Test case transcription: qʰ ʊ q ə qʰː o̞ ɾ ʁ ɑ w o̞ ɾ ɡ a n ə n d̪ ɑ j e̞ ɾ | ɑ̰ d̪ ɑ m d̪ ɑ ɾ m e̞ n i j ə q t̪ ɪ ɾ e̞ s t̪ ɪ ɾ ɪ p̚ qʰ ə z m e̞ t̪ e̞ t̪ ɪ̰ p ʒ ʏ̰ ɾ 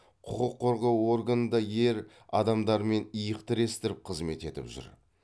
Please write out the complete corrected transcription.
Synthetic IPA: qʰ ʊ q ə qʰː o̞ ɾ ʁ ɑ w o̞ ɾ ɡ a n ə n d̪ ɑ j e̞ ɾ | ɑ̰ d̪ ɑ m d̪ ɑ ɾ m e̞ n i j ə q t̪ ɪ ɾ e̞ s t̪ ɪ ɾ ɪ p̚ qʰ ə z m e̞ t̪ e̞ t̪ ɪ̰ p ʒ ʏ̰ ɾ

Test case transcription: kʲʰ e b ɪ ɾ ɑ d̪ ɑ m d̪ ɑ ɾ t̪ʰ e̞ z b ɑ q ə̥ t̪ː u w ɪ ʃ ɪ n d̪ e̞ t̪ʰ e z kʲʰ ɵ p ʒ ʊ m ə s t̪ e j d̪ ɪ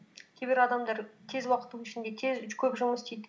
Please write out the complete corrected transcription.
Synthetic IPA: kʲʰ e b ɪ ɾ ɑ d̪ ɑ m d̪ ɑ ɾ t̪ʰ e̞ z w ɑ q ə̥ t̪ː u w ɪ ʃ ɪ n d̪ e̞ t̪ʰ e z kʲʰ ɵ p ʒ ʊ m ə s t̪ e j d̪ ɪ

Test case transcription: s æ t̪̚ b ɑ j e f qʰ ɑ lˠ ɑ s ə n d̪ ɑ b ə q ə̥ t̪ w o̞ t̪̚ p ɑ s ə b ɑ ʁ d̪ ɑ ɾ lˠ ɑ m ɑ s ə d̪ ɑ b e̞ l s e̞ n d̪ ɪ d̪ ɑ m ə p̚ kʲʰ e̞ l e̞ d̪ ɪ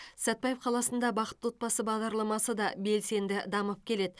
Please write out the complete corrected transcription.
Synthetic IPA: s æ t̪̚ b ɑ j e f qʰ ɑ lˠ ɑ s ə n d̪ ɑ b ɑ q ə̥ t̪ w o̞ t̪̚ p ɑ s ə b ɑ ʁ d̪ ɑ ɾ lˠ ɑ m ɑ s ə d̪ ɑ b e̞ l s e̞ n d̪ ɪ d̪ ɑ m ə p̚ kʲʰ e̞ l e̞ d̪ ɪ

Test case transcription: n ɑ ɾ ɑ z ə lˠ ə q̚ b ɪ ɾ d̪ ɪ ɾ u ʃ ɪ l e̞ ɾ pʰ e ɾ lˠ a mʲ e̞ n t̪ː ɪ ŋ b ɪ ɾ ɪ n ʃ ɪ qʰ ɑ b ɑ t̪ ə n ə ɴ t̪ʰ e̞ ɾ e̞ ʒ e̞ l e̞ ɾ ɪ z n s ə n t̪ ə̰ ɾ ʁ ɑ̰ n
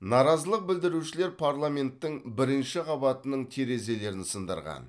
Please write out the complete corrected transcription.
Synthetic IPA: n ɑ ɾ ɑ z ə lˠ ə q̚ b ɪ l d̪ ɪ ɾ u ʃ ɪ l e̞ ɾ pʰ a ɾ lˠ a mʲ e̞ n t̪ː ɪ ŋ b ɪ ɾ ɪ n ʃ ɪ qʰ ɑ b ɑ t̪ ə n ə ɴ t̪ʰ e̞ ɾ e̞ z e̞ l e̞ ɾ ɪ n s ə n d̪ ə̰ ɾ ʁ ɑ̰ n

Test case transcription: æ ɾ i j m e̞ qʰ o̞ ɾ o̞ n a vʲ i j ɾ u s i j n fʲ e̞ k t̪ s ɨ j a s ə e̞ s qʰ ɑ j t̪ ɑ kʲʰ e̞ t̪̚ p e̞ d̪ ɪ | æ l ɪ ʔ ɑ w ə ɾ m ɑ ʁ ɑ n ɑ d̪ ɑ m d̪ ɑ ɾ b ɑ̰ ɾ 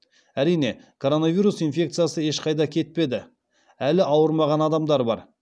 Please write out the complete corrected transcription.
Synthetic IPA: æ ɾ i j n e̞ kʰ o̞ ɾ o̞ n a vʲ i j ɾ u s i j n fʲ e̞ k t̪ s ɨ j a s ə e̞ ʃ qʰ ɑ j d̪ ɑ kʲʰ e̞ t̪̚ p e̞ d̪ ɪ | æ l ɪ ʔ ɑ w ə ɾ m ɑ ʁ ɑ n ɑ d̪ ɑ m d̪ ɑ ɾ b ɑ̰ ɾ

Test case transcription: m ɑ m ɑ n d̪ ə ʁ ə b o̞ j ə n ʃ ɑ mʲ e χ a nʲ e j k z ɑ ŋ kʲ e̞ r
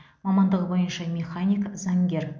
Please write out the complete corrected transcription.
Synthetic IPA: m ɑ m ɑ n d̪ ə ʁ ə b o̞ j ə n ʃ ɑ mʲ e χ a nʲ i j k z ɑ ŋ ɡʲ e̞ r

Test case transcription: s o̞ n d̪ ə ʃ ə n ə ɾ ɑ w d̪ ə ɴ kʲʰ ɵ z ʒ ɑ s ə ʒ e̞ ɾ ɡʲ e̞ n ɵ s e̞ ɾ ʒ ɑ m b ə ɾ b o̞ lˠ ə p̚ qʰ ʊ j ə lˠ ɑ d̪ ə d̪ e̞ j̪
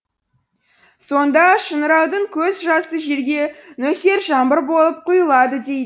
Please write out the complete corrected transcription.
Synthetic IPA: s o̞ n d̪ ɑ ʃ ə n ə ɾ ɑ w d̪ ə ɴ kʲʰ ɵ z ʒ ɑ s ə ʒ e̞ ɾ ɡʲ e̞ n ɵ s e̞ ɾ ʒ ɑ m b ə ɾ b o̞ lˠ ə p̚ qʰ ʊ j ə lˠ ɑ d̪ ə d̪ e̞ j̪

